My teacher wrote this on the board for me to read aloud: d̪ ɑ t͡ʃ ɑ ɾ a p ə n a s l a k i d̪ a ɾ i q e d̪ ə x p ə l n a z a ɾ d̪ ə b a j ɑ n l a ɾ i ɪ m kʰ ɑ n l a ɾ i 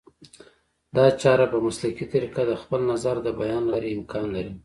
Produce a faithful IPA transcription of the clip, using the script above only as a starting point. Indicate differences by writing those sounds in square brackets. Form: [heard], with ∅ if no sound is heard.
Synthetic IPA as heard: d̪ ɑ t͡ʃ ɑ ɾ a p ə [m] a s l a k i [t̪] a ɾ i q [a] d̪ ə x p ə l n a z a ɾ d̪ ə b a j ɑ n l a ɾ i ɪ m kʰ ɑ n l a ɾ i